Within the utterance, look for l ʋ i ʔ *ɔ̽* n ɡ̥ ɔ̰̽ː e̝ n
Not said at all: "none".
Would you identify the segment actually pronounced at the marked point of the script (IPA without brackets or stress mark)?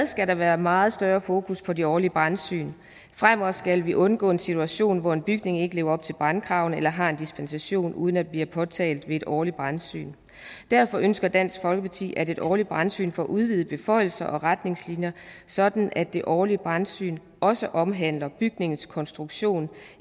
ɔ̽